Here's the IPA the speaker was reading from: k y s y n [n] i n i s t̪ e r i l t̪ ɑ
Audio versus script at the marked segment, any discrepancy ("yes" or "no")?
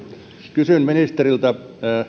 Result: yes